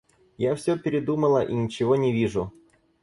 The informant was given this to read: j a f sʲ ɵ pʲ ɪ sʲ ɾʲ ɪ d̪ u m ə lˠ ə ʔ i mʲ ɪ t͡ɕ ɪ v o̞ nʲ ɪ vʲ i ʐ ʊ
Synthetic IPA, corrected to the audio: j a f sʲ ɵ pʲ ɪ ɾʲ ɪ d̪ u m ə lˠ ə ʔ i nʲ ɪ t͡ɕ ɪ v o̞ nʲ ɪ vʲ i ʐ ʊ